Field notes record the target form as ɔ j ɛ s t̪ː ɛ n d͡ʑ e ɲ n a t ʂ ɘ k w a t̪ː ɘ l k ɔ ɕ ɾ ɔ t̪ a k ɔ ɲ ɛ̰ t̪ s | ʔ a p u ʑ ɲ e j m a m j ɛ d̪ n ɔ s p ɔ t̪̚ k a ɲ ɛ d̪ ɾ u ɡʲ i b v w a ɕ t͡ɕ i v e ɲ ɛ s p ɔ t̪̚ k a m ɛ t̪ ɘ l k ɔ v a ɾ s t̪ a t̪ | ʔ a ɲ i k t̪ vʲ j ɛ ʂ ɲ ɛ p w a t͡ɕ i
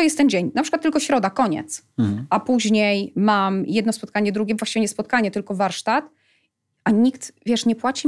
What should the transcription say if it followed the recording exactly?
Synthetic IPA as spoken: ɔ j ɛ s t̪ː ɛ n d͡ʑ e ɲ n a p ʂ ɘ k w a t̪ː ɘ l k ɔ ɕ ɾ ɔ d̪ a k ɔ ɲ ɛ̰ t̪ s | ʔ a p u ʑ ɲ e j m a m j ɛ d̪ n ɔ s p ɔ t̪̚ k a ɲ ɛ d̪ ɾ u ɡʲ ɛ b v w a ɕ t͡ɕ i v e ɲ ɛ s p ɔ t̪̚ k a ɲ ɛ t̪ ɘ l k ɔ v a ɾ ʂ t̪ a t̪ | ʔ a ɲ i k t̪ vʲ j ɛ ʂ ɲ ɛ p w a t͡ɕ i